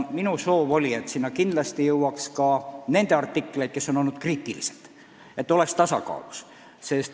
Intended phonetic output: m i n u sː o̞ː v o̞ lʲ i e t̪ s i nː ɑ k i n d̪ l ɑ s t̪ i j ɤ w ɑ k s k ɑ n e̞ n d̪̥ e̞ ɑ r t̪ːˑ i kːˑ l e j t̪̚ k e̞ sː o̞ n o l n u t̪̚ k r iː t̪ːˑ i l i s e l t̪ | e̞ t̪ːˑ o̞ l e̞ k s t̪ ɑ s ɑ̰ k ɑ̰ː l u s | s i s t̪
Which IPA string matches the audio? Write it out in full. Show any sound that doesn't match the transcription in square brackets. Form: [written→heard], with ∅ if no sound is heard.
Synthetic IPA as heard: m i n u [sː→s] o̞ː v o̞ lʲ i e t̪ s i nː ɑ k i n d̪ l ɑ s t̪ i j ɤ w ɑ k s k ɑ n e̞ n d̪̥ e̞ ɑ r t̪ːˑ i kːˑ l e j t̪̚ k e̞ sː o̞ n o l n u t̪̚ k r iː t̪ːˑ i l i s e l t̪ | e̞ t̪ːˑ o̞ l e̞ k s t̪ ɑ s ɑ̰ k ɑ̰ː l u s | s [i→e] s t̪